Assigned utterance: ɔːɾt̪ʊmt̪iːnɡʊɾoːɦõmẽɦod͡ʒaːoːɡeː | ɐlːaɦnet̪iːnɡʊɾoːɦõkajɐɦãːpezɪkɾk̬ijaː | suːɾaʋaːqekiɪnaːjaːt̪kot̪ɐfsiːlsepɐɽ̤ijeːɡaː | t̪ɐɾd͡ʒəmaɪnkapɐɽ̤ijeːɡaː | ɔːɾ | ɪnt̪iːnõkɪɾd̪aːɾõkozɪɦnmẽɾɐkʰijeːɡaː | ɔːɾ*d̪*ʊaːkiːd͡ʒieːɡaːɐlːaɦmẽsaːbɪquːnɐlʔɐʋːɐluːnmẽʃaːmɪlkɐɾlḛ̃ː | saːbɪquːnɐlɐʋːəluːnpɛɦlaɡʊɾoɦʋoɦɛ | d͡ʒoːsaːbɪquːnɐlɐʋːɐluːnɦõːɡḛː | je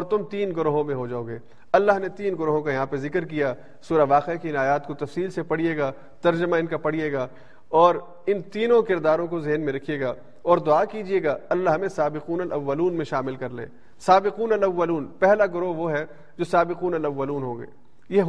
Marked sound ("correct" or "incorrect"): correct